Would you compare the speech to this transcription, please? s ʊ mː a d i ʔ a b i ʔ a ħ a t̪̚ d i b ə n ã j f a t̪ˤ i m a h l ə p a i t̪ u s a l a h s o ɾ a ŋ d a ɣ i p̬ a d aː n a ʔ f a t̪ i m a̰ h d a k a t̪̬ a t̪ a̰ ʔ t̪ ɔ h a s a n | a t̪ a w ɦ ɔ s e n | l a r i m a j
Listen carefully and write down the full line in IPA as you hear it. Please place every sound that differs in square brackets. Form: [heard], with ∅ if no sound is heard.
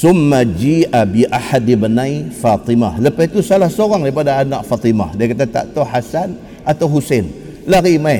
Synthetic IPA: s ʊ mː a [d͡ʒ] i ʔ a b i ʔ a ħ a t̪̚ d i b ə n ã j f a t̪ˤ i m a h l ə p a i t̪ u s a l a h s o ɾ a ŋ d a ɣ i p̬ a d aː n a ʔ f a t̪ i m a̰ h d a k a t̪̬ a t̪ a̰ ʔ t̪ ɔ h a s a n | a t̪ a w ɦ [u] s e n | l a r i m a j